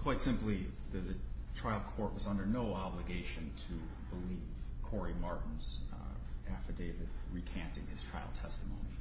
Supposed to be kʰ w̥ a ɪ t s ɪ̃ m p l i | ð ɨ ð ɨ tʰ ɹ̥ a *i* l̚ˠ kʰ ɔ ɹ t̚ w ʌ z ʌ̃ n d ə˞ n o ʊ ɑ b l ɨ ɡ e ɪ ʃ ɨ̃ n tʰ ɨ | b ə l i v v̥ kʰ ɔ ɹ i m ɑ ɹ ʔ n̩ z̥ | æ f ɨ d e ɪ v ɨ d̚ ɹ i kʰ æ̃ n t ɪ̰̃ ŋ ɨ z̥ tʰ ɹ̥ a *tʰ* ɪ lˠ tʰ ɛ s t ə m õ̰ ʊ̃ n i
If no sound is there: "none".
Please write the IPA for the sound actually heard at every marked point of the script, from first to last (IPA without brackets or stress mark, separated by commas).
ɪ, none